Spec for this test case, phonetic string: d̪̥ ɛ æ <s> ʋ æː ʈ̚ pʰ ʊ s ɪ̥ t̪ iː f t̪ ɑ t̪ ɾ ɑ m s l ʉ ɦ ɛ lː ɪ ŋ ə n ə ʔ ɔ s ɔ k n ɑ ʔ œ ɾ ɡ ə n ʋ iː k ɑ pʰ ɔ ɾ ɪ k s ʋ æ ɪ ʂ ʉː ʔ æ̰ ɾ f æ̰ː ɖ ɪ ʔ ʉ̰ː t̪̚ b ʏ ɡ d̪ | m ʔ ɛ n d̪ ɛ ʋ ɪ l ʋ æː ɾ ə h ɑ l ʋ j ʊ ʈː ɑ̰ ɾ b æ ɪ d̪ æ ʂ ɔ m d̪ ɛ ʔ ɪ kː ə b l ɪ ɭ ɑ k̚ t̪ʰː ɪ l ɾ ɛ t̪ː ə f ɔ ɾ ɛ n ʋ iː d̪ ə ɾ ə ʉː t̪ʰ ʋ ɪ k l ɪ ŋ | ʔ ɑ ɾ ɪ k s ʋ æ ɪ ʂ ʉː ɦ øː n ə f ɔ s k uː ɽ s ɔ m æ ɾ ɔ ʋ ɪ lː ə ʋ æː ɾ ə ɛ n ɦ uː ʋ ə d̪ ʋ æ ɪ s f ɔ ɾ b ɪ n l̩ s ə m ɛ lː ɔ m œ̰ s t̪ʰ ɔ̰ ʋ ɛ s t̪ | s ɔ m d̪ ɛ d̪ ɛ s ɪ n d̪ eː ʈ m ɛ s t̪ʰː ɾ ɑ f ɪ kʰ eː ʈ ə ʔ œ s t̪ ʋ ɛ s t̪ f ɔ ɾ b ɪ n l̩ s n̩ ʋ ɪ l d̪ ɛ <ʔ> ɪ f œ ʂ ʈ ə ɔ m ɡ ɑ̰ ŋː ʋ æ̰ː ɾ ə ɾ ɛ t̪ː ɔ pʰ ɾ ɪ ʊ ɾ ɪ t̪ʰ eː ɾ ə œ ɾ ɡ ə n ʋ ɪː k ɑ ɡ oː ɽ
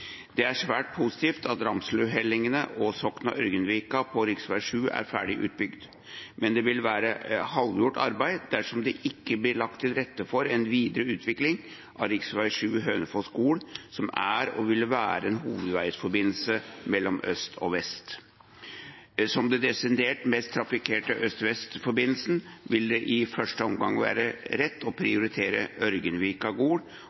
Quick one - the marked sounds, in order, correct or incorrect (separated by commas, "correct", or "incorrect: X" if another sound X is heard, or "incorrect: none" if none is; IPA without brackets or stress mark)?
incorrect: ʂ, correct